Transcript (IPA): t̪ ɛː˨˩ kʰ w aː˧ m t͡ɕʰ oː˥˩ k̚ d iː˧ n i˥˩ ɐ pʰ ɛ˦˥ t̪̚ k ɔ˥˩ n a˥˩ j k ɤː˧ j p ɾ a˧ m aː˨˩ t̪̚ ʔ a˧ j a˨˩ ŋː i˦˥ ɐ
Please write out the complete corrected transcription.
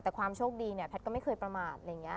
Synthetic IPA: t̪ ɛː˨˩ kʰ w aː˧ m t͡ɕʰ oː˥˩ k̚ d iː˧ n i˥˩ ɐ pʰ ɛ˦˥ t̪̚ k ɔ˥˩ m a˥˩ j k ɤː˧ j p ɾ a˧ m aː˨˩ t̪̚ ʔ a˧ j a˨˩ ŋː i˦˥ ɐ